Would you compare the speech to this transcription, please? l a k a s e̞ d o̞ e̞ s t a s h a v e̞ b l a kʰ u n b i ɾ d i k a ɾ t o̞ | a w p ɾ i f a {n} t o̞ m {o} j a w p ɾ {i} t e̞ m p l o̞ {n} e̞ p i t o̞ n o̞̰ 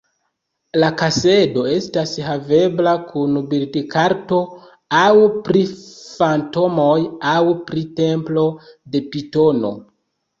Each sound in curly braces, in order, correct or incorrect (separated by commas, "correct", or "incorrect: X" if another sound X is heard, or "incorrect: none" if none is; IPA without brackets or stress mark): correct, correct, correct, incorrect: d